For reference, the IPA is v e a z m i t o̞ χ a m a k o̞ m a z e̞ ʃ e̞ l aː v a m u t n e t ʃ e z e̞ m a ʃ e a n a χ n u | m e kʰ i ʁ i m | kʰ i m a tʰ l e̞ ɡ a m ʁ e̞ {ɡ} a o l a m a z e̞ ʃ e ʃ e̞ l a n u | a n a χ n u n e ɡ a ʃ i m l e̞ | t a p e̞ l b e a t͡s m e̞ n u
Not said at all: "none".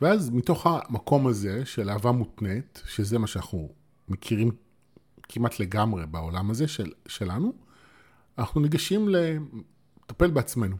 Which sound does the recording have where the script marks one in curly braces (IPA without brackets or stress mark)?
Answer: b